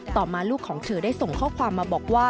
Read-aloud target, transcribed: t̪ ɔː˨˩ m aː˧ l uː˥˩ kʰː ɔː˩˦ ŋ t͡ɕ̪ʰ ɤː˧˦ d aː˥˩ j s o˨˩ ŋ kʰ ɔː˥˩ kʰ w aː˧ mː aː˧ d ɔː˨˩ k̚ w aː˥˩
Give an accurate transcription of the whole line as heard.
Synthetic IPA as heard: t̪ ɔː˨˩ m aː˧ l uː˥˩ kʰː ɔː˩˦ ŋ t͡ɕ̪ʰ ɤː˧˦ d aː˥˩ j s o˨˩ ŋ kʰ ɔː˥˩ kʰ w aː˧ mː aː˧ b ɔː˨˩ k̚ w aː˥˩